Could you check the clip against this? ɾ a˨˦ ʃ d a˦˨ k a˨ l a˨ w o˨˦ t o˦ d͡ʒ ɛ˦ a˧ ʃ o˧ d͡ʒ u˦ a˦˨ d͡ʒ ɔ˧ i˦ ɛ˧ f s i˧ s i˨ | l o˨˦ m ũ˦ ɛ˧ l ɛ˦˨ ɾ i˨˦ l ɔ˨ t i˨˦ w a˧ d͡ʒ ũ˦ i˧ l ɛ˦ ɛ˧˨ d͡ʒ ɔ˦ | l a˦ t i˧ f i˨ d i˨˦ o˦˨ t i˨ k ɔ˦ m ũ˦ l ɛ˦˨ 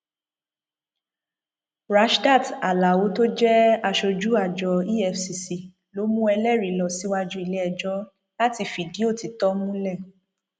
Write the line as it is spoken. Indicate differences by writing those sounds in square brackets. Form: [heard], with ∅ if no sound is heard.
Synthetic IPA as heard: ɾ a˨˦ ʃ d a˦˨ [t] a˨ l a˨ w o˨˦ t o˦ d͡ʒ ɛ˦ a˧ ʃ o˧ d͡ʒ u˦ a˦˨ d͡ʒ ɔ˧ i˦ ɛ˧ f s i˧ s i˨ | l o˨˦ m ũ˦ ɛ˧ l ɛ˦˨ ɾ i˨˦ l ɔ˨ [s] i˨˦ w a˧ d͡ʒ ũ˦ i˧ l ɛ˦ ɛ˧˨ d͡ʒ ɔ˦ | l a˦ t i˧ f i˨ d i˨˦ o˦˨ t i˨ [t] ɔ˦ m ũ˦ l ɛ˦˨